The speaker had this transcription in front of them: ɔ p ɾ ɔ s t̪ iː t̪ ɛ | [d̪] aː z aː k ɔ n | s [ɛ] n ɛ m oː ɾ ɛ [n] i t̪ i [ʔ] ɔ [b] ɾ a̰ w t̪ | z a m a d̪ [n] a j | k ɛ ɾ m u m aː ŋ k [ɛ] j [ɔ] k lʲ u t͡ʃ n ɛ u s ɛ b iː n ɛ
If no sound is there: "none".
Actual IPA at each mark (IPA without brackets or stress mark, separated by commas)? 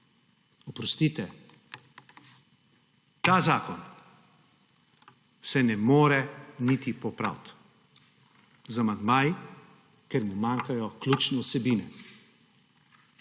t̪, ɛ, n, p, p, m, a, ɔ